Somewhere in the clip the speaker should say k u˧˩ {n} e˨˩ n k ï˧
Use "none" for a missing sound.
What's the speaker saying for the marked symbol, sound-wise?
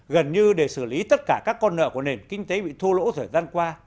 n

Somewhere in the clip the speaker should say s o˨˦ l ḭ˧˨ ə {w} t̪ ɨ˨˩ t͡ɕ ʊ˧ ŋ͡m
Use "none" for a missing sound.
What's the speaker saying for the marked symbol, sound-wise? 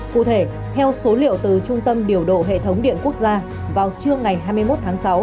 w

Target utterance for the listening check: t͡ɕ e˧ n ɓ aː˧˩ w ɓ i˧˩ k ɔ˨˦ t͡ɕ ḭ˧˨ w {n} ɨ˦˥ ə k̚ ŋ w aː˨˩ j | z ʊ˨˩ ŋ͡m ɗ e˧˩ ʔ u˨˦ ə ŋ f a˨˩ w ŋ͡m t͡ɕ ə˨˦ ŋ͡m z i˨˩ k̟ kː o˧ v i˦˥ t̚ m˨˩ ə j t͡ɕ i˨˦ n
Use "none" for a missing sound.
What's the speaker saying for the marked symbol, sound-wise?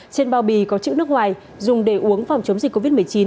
n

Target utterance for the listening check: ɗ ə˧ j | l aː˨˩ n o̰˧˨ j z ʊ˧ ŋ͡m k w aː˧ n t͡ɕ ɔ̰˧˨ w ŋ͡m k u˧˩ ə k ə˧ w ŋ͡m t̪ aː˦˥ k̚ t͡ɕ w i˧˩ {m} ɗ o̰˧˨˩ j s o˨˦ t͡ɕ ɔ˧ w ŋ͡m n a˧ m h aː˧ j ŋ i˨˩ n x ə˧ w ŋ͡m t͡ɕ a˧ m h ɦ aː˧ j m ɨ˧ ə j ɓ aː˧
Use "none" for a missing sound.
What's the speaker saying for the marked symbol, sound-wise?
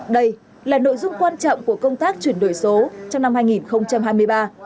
n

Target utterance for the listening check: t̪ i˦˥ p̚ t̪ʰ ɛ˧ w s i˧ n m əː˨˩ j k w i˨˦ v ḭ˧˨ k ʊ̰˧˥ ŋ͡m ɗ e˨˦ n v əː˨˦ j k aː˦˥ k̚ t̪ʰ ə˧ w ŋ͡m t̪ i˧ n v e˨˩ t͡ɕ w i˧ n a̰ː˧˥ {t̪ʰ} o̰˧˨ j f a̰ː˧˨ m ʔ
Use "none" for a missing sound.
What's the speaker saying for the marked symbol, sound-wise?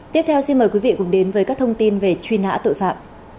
t̪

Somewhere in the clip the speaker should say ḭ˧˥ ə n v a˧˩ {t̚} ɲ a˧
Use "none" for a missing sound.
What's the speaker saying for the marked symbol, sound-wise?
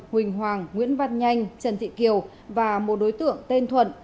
t̚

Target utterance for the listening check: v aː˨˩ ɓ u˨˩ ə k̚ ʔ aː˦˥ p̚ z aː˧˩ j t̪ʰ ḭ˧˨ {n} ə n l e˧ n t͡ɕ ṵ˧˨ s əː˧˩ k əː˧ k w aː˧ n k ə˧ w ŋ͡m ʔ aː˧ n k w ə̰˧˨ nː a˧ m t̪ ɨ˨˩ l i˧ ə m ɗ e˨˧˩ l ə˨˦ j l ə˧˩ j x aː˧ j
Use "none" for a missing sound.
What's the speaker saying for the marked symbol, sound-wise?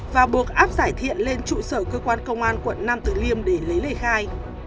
none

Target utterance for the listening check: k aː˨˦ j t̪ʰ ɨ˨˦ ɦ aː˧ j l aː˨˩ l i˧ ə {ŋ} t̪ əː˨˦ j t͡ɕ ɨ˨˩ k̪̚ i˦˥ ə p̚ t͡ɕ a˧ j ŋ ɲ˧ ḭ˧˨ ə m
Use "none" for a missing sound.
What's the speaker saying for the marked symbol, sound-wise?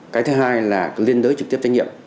n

